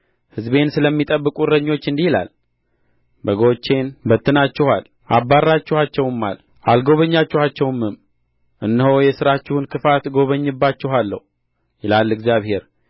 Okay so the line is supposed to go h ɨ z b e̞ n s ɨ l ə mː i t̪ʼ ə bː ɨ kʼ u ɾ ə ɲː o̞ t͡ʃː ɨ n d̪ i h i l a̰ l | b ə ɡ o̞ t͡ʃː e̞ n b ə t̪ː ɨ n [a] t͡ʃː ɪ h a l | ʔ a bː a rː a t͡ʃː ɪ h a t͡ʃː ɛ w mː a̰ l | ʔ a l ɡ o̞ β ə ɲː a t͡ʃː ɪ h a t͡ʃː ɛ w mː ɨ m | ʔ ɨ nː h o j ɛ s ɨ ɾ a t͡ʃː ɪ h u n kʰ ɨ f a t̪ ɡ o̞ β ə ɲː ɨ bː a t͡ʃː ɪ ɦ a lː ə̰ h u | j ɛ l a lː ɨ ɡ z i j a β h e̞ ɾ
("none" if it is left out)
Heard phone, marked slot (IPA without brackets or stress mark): a